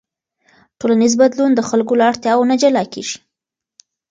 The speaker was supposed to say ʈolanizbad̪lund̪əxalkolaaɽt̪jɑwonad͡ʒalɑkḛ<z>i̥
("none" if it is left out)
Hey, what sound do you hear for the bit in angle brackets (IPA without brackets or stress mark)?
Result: ʒ